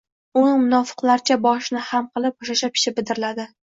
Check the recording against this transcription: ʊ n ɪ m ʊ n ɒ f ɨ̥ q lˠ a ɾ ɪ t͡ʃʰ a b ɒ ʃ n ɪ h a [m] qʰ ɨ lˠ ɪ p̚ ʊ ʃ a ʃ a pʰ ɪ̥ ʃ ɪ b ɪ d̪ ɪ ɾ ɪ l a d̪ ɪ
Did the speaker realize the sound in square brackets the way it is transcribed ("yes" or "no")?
yes